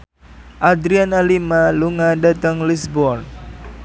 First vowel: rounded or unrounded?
unrounded